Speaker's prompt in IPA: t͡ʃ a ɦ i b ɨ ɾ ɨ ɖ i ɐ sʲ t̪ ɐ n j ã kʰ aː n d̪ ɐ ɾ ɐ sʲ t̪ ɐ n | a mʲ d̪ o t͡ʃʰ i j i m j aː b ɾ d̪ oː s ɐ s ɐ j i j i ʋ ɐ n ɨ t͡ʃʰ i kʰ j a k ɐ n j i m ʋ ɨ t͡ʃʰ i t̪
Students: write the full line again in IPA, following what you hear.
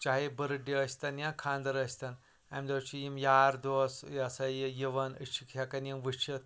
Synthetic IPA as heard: t͡ʃ a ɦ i b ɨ ɾ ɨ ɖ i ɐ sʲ t̪ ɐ n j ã kʰ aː n d̪ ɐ ɾ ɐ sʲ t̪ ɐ n | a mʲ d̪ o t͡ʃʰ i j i m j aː ɾ d̪ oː s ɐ s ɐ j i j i ʋ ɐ n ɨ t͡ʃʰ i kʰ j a k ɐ n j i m ʋ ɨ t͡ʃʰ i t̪